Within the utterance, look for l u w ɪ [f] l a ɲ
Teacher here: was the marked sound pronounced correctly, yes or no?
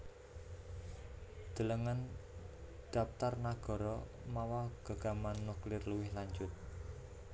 no